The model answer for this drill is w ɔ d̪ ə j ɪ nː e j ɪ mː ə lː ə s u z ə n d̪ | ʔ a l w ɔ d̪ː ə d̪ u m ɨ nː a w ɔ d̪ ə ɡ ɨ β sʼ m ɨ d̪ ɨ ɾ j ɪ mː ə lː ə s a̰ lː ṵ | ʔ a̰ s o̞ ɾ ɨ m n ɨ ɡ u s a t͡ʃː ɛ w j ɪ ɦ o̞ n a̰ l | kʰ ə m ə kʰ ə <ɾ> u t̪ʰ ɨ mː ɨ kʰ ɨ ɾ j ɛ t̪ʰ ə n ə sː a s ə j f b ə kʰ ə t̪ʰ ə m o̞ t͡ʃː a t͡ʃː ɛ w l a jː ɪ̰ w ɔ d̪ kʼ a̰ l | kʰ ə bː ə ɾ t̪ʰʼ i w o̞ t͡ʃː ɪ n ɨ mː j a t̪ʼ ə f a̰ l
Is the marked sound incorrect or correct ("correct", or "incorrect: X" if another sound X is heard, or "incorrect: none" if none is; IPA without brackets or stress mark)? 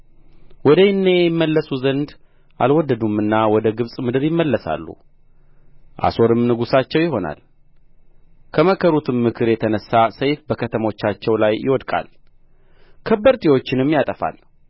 correct